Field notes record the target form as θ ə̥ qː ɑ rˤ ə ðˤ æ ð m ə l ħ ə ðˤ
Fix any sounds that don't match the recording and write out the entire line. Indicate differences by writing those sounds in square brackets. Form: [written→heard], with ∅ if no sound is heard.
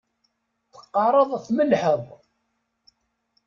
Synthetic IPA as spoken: θ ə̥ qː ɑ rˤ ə ðˤ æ [ð→θ] m ə l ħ ə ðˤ